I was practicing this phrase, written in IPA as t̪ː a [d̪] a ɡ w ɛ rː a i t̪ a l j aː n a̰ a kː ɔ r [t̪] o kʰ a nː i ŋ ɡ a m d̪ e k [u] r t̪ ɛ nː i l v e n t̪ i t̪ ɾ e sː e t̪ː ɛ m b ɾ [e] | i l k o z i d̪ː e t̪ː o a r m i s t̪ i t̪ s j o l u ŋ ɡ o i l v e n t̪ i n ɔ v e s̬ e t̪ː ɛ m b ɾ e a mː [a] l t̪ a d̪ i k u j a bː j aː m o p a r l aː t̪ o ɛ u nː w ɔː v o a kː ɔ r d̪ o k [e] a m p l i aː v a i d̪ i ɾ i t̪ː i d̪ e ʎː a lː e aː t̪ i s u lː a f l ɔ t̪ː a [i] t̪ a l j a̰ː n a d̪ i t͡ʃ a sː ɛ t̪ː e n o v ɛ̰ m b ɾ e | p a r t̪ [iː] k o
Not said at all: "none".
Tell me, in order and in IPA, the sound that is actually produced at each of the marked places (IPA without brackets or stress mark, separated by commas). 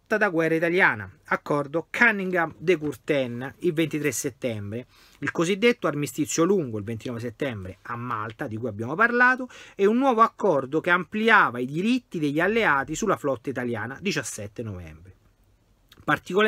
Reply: d̪, d̪, u, e, a, e, i, i